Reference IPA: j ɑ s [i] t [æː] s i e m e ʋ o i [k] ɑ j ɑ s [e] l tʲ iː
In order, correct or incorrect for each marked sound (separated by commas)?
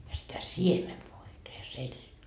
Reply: correct, incorrect, incorrect, correct